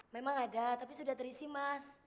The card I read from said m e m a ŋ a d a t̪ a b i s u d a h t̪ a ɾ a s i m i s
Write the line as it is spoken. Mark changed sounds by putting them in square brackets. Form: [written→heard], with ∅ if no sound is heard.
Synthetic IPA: m e m a ŋ a d a t̪ a [b→p] i s u d a h t̪ [a→ə] ɾ [a→i] s i m [i→a] s